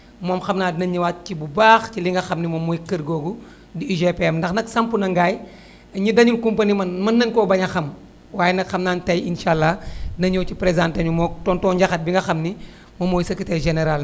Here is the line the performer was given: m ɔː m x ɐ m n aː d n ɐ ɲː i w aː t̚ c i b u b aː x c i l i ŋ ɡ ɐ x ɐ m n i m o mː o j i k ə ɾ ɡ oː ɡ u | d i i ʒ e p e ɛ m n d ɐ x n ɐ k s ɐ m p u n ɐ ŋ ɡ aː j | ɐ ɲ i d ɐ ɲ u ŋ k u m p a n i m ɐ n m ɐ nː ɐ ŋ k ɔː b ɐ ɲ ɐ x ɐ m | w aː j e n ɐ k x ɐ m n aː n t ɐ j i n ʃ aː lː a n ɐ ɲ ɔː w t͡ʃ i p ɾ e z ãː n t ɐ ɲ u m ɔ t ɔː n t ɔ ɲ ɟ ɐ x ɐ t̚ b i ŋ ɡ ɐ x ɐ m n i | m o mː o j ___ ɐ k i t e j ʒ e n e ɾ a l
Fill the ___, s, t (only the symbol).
s